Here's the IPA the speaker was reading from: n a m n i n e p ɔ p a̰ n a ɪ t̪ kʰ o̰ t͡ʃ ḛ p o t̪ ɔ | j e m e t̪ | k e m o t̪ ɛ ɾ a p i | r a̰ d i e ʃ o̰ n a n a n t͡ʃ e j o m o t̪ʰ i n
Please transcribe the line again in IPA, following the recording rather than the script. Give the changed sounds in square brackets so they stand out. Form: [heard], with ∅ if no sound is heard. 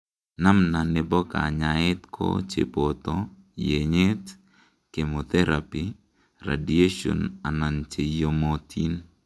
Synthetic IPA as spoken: n a m n [a] n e [b] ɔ [k] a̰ [ɲ] a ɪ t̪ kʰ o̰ t͡ʃ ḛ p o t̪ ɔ | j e [ɲ] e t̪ | k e m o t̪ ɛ ɾ a p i | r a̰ d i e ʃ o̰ n a n a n t͡ʃ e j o m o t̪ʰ i n